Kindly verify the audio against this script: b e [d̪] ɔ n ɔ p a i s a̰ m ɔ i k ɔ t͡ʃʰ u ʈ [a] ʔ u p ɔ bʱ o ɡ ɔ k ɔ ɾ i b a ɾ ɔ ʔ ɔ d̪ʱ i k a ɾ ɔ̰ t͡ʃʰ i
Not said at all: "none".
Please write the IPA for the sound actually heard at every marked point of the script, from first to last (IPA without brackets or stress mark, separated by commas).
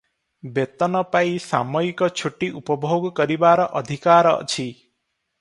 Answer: t̪, i